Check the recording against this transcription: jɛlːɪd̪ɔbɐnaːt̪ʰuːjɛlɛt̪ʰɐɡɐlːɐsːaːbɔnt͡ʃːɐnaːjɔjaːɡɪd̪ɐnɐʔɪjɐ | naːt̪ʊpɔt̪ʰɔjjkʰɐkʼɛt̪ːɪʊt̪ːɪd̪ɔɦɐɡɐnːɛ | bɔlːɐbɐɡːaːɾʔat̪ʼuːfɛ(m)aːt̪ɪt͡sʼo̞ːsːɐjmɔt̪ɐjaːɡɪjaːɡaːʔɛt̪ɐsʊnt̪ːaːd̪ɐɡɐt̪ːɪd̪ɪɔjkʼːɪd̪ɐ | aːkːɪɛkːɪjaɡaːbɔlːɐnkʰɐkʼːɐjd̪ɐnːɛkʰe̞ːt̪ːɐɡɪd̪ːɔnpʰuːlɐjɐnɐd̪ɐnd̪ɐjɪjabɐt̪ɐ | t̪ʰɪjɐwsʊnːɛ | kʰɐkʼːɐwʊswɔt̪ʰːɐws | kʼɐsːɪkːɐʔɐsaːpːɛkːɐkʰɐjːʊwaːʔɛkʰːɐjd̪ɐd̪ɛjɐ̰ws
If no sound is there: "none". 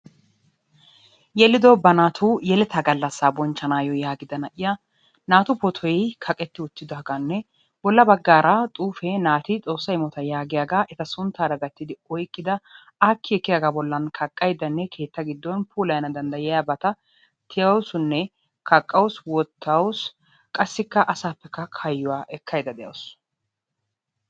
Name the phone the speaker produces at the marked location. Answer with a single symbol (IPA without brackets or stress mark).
n